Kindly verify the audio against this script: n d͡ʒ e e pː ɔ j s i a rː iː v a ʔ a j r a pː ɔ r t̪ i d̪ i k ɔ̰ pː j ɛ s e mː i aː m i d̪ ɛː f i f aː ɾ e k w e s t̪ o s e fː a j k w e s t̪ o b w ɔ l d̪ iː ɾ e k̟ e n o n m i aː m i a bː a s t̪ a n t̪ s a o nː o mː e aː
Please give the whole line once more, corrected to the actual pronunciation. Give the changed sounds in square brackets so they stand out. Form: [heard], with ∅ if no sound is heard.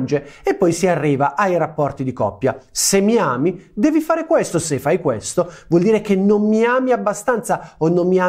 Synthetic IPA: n d͡ʒ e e pː ɔ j s i a rː iː v a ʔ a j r a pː ɔ r t̪ i d̪ i k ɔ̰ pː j [a] s e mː i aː m i d̪ ɛː [v] i f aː ɾ e k w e s t̪ o s e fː a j k w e s t̪ o [v] w ɔ l d̪ iː ɾ e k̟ e n o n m i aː m i a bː a s t̪ a n t̪ s a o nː o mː [i] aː